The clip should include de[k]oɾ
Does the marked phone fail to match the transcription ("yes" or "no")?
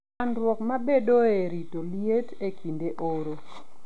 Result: yes